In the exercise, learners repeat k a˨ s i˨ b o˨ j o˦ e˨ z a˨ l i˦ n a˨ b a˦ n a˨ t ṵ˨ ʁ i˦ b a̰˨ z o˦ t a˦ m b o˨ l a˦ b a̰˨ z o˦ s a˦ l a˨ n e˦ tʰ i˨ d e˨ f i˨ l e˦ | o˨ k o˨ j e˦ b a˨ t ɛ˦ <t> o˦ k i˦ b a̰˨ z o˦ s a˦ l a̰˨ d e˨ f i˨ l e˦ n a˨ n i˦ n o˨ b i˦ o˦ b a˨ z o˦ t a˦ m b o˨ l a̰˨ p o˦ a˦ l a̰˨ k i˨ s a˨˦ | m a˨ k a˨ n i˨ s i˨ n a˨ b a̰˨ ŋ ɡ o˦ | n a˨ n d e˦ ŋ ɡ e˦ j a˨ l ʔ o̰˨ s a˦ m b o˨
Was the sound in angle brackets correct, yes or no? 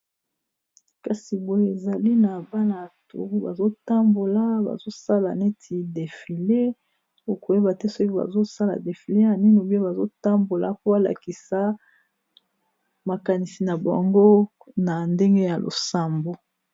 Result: no